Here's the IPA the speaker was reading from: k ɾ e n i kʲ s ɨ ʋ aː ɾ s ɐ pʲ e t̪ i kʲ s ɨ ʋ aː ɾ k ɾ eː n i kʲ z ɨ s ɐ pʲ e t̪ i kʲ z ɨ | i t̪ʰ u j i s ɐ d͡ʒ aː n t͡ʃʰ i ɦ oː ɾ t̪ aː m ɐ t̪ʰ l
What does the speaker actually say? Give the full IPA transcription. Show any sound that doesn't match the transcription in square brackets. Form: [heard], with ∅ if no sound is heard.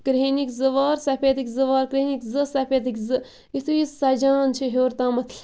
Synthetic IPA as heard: k ɾ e n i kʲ [z] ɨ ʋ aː ɾ s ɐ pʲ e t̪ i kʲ [z] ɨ ʋ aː ɾ k ɾ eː n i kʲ z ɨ s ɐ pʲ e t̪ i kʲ z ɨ | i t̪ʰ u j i s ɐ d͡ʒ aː n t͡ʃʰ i ɦ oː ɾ t̪ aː m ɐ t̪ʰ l